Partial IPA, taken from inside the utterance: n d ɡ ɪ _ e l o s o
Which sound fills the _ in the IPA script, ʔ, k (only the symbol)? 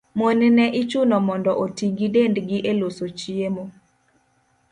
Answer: ʔ